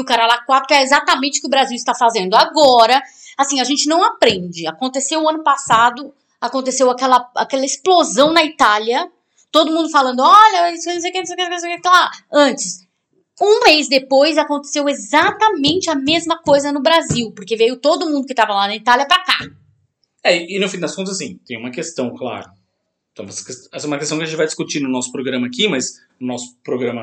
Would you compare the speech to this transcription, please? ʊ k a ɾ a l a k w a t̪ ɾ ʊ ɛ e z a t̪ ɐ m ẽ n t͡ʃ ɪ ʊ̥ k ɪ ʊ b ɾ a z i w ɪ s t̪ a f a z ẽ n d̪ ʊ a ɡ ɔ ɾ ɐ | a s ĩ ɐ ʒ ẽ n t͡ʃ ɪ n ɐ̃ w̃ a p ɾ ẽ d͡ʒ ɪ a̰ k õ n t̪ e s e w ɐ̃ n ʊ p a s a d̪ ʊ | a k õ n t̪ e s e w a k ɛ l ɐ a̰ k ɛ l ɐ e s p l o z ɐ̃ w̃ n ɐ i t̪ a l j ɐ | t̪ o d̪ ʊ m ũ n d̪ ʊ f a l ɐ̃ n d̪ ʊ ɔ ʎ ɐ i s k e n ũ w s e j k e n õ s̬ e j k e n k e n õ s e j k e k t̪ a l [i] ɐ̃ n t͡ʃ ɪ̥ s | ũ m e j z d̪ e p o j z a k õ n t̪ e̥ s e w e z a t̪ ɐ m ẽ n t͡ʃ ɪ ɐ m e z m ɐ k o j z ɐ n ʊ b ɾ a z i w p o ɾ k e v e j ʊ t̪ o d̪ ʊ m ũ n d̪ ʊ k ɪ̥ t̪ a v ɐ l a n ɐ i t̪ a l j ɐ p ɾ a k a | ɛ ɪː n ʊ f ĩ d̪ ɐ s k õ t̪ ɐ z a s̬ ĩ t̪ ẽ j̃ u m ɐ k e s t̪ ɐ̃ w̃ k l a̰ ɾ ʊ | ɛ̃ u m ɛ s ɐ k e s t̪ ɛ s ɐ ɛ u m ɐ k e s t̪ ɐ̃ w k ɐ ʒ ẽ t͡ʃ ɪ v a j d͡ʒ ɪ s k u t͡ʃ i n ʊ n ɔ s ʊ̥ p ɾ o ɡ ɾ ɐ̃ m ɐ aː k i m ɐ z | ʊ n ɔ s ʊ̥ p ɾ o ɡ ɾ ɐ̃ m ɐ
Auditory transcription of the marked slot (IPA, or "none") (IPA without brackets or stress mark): a